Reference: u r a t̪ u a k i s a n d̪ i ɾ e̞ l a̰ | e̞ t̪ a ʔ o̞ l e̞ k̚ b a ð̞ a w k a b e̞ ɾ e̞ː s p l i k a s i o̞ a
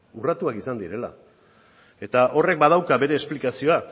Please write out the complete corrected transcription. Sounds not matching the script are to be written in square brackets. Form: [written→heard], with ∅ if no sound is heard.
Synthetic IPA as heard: u r a t̪ u a k i s a n d̪ i ɾ e̞ l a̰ | e̞ t̪ a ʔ o̞ [l→r] e̞ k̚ b a ð̞ a w k a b e̞ ɾ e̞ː s p l i k a s i o̞ a